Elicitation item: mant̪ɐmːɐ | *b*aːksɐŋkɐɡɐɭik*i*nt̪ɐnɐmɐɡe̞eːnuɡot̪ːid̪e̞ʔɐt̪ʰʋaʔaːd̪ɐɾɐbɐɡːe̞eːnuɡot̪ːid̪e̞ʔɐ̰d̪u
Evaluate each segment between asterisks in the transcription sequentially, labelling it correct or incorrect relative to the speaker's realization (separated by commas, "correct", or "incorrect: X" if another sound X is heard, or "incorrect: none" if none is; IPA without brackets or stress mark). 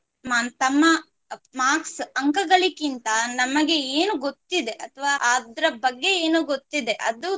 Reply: incorrect: m, correct